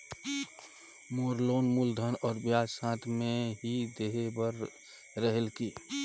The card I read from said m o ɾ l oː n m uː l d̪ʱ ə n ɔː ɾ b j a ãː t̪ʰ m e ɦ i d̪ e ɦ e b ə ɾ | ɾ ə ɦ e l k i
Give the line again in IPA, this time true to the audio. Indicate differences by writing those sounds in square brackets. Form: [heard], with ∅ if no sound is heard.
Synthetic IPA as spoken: m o ɾ l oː n m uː l d̪ʱ ə n ɔː ɾ b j a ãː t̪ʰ m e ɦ i d̪ e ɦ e b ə ɾ | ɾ ə ɦ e l k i

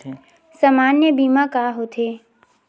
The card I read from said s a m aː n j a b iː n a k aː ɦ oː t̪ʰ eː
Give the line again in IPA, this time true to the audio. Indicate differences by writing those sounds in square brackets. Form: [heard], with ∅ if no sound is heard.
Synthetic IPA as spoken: s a m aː n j [ə] b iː [m] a k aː ɦ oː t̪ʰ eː

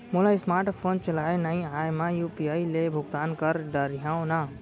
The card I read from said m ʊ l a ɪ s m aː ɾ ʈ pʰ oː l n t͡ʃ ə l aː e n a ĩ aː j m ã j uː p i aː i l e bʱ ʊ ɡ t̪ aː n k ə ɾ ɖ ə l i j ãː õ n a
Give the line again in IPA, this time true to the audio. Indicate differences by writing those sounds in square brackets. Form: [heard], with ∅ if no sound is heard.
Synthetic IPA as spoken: m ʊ l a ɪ s m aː ɾ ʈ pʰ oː [∅] n t͡ʃ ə l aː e n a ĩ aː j m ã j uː p i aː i l e bʱ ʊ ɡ t̪ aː n k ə ɾ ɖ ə [ɾ] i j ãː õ n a

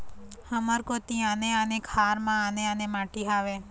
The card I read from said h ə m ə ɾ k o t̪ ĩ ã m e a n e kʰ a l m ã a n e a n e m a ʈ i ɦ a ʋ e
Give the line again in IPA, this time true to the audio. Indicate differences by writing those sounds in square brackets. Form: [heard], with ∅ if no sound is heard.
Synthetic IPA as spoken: h ə m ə ɾ k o t̪ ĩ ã [n] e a n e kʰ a [ɾ] m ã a n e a n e m a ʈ i ɦ a ʋ e

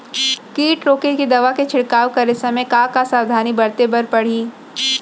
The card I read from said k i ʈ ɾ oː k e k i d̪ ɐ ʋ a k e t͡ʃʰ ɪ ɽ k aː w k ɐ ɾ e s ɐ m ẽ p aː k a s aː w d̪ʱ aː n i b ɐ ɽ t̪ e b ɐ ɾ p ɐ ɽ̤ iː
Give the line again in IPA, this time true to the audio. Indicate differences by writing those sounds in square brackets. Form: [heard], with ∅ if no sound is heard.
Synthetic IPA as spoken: k [iː] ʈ ɾ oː k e k i d̪ ɐ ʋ a k e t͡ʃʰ ɪ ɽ k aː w k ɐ ɾ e s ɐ m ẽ [k] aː k a s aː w d̪ʱ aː n i b ɐ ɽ t̪ e b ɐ ɾ p ɐ ɽ̤ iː

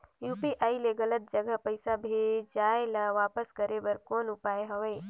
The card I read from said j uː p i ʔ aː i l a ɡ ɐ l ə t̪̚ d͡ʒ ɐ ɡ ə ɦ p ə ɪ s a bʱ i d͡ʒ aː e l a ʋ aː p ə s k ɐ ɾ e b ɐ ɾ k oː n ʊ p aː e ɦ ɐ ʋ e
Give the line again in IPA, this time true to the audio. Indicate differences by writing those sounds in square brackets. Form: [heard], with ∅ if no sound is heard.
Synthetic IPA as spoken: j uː p i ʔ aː i l [e] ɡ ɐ l ə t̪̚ d͡ʒ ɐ ɡ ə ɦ p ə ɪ s a bʱ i d͡ʒ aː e l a ʋ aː p ə s k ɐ ɾ e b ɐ ɾ k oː n ʊ p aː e ɦ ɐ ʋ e

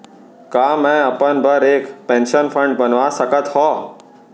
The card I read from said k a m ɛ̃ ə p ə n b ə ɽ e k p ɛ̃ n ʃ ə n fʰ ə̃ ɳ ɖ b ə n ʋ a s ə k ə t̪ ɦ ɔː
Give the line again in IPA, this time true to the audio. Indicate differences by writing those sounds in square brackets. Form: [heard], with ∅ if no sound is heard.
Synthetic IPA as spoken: k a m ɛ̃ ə p ə n b ə [ɾ] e k p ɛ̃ n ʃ ə n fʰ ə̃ ɳ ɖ b ə n ʋ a s ə k ə t̪ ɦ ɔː

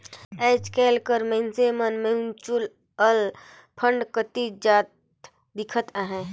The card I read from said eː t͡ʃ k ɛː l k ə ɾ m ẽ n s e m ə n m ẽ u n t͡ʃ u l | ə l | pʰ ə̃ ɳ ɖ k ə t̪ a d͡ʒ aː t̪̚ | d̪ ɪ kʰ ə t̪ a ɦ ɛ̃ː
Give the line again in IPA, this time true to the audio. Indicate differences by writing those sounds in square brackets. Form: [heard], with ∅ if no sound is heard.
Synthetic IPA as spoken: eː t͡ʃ k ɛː l k ə ɾ m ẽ n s e m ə n m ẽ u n t͡ʃ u l | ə l | pʰ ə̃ ɳ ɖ k ə t̪ [i] d͡ʒ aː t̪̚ | d̪ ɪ kʰ ə t̪ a ɦ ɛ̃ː

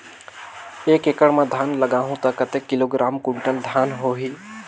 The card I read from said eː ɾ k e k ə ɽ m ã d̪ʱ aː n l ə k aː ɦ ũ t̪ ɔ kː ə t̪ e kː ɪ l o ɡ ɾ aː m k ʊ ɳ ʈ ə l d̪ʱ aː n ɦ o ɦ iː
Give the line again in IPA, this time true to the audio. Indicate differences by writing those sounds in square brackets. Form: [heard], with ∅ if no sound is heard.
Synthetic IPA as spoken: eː [∅] k e k ə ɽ m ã d̪ʱ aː n l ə [ɡ] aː ɦ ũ t̪ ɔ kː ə t̪ e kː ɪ l o ɡ ɾ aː m k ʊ ɳ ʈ ə l d̪ʱ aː n ɦ o ɦ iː

